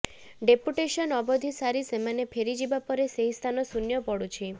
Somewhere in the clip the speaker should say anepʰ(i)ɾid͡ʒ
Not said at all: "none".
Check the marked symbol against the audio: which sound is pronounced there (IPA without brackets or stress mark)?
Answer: e